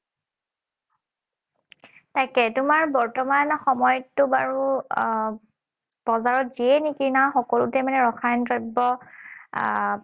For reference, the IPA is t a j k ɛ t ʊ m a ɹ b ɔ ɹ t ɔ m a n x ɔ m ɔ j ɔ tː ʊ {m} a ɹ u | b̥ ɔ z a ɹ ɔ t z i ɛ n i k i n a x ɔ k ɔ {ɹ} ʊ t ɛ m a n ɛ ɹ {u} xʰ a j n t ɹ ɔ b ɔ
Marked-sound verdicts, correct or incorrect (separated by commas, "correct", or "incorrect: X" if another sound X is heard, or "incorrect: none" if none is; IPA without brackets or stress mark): incorrect: b, incorrect: l, incorrect: ɔ